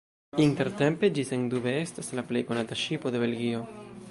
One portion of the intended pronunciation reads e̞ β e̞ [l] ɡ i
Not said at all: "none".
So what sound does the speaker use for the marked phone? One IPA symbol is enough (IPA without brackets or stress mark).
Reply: l